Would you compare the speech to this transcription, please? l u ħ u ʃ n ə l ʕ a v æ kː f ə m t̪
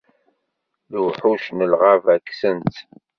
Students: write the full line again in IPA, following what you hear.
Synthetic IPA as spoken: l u ħ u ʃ n ə l ʁ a v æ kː s ə n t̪